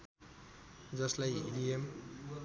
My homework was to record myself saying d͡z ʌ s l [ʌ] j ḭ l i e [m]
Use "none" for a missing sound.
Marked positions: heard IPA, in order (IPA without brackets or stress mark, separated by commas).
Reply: a, m